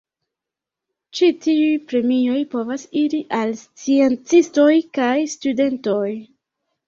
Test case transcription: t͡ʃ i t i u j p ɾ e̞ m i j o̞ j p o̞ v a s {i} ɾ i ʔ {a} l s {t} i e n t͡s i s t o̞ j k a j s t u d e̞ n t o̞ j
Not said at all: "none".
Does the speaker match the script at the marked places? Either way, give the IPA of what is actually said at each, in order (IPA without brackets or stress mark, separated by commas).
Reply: i, a, t͡s